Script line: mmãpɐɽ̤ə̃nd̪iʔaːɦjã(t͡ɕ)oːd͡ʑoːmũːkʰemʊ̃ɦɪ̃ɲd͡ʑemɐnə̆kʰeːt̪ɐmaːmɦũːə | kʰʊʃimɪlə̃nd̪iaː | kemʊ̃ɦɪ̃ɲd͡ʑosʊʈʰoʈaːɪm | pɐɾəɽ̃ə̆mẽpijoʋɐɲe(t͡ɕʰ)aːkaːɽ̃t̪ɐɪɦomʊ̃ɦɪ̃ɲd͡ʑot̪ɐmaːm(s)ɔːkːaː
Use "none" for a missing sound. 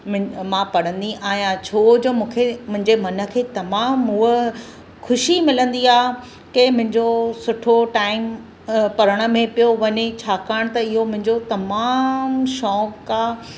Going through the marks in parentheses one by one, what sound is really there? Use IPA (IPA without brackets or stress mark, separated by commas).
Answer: t͡ɕʰ, t͡ɕʰ, ʃ